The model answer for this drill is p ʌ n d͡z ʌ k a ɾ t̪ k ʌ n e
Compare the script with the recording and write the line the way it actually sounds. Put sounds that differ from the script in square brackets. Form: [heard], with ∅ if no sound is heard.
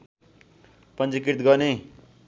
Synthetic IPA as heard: p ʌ n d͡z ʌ k [i] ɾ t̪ [ɡ] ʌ n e